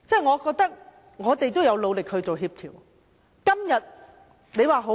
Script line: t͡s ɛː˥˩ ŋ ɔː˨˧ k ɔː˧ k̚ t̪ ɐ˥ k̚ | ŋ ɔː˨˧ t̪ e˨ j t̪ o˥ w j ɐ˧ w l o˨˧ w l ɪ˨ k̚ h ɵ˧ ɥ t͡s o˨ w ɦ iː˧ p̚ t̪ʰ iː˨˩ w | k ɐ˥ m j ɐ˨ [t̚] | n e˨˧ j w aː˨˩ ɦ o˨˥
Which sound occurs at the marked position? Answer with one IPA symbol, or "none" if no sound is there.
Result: t̚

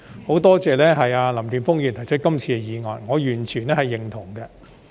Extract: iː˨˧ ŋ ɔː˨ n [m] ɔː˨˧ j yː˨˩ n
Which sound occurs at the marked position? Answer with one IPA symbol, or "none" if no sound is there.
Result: ŋ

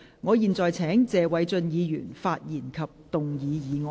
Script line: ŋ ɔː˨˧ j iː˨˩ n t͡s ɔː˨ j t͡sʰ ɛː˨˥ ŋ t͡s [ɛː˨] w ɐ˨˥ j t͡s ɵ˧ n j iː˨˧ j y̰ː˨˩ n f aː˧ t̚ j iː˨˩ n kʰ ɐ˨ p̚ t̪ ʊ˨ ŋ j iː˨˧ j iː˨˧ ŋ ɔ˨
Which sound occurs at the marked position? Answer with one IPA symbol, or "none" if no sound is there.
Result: ɛː˨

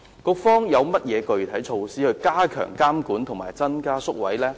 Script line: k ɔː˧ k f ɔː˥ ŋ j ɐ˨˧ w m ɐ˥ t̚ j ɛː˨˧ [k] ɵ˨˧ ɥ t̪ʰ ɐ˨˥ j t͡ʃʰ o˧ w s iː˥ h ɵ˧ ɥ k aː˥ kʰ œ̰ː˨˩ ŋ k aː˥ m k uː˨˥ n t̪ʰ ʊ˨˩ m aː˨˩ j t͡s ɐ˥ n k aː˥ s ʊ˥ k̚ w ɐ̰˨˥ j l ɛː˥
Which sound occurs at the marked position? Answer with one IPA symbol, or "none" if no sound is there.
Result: k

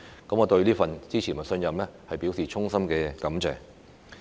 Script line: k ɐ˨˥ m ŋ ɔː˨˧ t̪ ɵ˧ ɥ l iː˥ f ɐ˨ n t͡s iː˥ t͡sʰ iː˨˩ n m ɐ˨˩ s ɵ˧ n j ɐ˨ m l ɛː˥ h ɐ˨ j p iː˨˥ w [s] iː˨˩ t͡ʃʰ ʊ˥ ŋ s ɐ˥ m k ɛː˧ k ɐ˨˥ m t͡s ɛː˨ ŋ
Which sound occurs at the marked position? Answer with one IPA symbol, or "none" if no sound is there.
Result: s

